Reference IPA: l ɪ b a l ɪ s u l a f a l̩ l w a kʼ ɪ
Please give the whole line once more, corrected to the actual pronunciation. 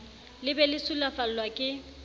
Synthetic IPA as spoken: l ɪ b ɛ l ɪ s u l a f a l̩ l w a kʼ ɪ